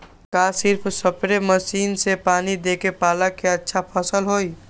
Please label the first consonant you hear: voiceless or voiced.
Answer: voiceless